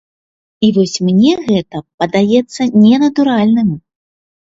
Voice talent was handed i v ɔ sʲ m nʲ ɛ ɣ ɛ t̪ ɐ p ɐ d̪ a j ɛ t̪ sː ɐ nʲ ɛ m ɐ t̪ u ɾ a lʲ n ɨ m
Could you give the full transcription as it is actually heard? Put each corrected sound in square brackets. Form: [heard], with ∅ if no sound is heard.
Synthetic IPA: i v ɔ sʲ m nʲ ɛ ɣ ɛ t̪ ɐ p ɐ d̪ a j ɛ t̪ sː ɐ nʲ ɛ [n] ɐ t̪ u ɾ a lʲ n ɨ m